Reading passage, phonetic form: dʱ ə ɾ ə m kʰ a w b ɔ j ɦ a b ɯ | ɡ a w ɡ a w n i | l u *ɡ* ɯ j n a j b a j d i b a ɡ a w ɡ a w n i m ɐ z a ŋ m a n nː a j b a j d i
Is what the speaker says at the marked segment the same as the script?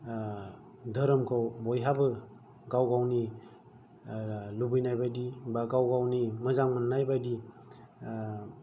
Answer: no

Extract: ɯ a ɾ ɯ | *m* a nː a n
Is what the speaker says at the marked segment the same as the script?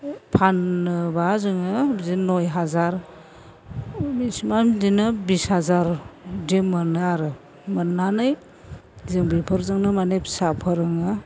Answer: yes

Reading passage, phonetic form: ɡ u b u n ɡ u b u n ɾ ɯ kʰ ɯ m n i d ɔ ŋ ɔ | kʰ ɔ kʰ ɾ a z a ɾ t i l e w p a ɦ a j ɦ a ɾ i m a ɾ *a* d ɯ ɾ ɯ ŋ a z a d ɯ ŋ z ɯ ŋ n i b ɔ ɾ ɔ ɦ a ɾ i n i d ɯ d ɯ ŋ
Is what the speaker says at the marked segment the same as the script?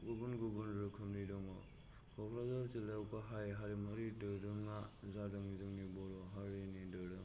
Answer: no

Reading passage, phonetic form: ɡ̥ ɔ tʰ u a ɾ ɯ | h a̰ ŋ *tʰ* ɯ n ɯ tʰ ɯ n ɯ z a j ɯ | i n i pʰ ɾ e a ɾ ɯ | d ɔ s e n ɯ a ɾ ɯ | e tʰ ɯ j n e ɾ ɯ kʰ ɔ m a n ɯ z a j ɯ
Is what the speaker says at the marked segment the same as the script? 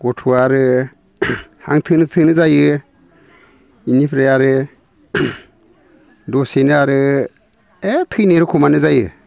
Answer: yes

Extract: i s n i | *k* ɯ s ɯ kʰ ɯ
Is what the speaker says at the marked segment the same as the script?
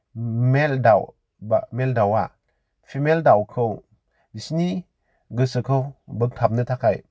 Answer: no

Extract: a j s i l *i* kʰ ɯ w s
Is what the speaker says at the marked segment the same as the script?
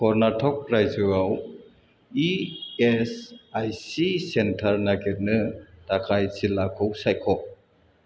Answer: no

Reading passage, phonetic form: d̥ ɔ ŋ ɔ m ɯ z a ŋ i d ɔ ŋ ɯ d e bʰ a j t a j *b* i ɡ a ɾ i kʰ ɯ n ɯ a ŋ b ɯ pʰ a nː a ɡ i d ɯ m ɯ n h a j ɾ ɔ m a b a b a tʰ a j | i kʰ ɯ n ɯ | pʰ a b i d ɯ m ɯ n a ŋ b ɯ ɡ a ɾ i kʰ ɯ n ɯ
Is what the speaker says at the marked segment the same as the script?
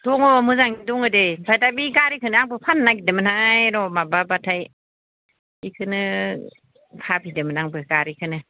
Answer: yes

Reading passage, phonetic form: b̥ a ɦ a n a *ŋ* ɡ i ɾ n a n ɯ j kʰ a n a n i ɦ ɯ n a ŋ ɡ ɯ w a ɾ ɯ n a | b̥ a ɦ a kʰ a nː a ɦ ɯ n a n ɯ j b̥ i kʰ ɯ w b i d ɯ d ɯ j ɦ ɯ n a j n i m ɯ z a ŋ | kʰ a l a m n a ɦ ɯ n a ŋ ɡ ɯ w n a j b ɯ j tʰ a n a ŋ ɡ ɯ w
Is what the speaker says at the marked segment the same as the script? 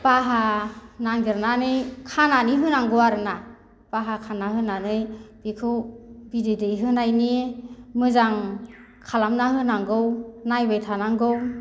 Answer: yes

